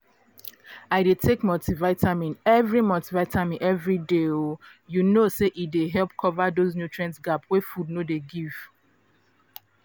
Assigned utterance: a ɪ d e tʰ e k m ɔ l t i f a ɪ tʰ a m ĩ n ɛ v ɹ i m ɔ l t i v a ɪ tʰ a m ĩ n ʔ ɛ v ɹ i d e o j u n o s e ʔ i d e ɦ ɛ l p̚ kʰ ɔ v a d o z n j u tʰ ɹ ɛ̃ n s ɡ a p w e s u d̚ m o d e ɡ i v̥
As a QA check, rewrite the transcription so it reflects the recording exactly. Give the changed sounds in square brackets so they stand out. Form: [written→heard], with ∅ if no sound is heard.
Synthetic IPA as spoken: a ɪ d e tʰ e k m ɔ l t i [f→v] a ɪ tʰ a m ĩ n ɛ v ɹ i m ɔ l t i v a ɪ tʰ a m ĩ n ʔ ɛ v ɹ i d e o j u n o s e ʔ i d e ɦ ɛ l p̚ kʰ ɔ v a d o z n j u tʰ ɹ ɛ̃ n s ɡ a p w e [s→f] u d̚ [m→n] o d e ɡ i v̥

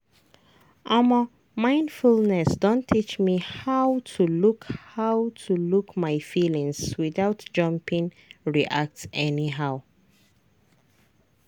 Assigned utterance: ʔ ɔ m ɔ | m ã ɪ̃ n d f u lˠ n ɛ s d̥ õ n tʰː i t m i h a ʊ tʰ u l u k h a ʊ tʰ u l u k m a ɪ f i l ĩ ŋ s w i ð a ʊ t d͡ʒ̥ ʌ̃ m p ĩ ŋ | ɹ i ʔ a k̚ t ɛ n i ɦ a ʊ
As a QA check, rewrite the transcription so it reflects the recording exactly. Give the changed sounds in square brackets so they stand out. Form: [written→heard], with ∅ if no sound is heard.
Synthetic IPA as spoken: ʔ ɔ m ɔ | m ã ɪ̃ n d f u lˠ n ɛ s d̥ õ n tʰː i [t→t͡ʃ] m i h a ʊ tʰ u l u k h a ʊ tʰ u l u k m a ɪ f i l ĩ ŋ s w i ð a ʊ t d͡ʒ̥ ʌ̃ m p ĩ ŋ | ɹ i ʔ a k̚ t ɛ n i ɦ a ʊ

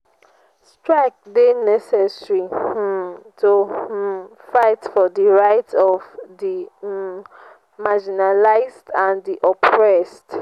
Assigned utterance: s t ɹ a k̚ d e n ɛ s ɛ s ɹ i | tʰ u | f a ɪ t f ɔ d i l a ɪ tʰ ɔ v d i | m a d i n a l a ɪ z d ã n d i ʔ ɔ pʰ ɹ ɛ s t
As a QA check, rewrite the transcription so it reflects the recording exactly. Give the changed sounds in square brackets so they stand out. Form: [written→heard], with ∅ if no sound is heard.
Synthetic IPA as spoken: s t ɹ a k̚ d e n ɛ s ɛ s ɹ i | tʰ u | f a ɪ t f ɔ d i [l→ɹ] a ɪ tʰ ɔ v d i | m a [d→d͡ʒ] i n a l a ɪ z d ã n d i ʔ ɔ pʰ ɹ ɛ s t

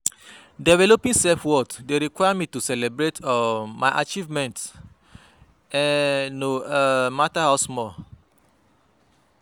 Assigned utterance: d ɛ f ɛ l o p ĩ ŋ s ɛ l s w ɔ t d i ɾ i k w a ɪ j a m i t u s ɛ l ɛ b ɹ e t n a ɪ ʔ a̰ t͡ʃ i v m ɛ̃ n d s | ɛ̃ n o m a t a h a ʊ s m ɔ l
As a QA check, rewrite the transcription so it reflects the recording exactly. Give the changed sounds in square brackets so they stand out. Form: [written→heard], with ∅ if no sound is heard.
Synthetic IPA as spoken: d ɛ [f→v] ɛ l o p ĩ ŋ s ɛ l [s→f] w ɔ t d [i→e] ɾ i k w a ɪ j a m i t u s ɛ l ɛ b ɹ e t [n→m] a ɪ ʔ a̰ t͡ʃ i v m ɛ̃ n [d→t] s | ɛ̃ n o m a t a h a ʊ s m ɔ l

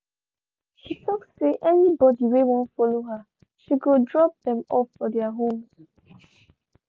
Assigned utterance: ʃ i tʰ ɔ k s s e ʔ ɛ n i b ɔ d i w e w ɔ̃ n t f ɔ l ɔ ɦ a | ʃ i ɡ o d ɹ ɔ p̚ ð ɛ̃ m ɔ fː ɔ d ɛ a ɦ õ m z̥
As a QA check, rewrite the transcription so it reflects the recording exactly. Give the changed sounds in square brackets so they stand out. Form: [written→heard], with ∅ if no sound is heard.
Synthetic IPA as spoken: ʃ i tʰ ɔ k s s e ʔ ɛ n i b ɔ d i w e w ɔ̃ n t f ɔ l [ɔ→o] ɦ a | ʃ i ɡ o d ɹ ɔ p̚ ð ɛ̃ m ɔ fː ɔ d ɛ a ɦ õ m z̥

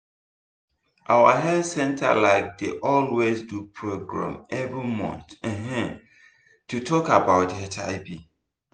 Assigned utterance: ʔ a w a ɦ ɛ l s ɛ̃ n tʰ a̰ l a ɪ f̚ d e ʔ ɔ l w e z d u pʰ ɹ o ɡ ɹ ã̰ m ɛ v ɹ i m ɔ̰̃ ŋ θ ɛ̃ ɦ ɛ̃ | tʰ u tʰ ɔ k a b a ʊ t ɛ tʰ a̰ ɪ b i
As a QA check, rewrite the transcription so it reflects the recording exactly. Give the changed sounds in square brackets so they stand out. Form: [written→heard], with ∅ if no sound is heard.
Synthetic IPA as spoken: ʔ a w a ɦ ɛ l s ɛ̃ n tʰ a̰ l a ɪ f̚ d e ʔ ɔ l w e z d u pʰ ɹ o ɡ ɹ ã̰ m ɛ v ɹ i m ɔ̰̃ [ŋ→n] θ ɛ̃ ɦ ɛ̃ | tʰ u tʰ ɔ k a b a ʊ t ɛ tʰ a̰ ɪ b i

